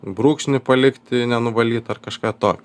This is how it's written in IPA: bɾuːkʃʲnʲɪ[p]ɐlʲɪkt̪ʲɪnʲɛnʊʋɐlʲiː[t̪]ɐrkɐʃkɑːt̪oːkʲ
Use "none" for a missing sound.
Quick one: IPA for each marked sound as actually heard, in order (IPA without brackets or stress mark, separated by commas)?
p, t̪